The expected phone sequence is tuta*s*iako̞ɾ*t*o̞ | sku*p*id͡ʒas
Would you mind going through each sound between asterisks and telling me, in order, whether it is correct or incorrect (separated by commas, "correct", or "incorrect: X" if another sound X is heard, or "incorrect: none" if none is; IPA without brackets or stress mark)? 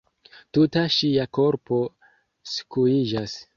incorrect: ʃ, incorrect: p, incorrect: none